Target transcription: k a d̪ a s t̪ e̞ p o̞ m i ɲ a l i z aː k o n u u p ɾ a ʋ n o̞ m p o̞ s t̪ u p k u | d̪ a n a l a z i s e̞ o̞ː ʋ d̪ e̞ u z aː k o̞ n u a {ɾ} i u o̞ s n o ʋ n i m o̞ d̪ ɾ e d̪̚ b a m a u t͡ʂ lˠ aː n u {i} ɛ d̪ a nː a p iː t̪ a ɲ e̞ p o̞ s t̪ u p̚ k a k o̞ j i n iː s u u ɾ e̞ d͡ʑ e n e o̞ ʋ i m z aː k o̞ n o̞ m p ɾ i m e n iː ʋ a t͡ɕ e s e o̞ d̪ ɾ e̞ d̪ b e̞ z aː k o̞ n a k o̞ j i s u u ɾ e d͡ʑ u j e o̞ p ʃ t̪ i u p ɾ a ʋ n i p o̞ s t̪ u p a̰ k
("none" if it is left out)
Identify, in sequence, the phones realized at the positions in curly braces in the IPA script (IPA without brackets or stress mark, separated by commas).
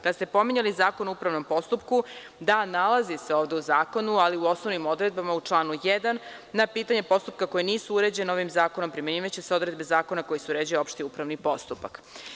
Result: l, j